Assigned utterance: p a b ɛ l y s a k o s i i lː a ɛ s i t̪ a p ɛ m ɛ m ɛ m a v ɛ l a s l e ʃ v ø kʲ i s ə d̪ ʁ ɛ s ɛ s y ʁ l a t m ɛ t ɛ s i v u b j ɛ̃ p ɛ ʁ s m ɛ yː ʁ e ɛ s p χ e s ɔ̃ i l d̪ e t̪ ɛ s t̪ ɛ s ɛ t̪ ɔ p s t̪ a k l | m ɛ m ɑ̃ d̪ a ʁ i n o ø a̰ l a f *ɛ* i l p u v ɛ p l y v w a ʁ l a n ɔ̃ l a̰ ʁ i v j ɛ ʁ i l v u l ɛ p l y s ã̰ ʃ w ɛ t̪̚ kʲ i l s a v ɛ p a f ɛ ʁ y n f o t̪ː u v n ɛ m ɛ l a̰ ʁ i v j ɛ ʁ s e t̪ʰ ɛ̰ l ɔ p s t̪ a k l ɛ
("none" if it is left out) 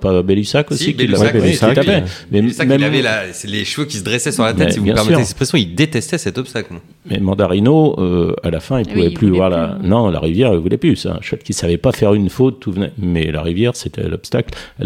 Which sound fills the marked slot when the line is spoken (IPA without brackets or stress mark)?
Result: ɛ̃